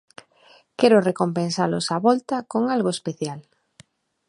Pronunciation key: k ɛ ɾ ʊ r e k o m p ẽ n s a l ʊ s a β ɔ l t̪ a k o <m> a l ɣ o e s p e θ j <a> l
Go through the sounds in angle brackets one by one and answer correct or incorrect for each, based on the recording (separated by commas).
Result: incorrect, correct